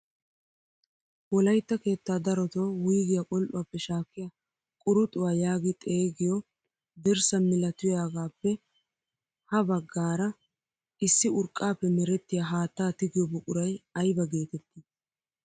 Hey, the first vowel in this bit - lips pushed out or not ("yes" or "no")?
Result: yes